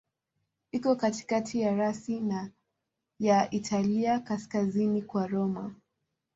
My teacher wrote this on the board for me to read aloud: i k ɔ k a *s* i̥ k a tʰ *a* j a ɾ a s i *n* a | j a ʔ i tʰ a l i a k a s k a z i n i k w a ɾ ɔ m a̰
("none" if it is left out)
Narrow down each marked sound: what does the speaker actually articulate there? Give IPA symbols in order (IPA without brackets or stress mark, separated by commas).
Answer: t, i, n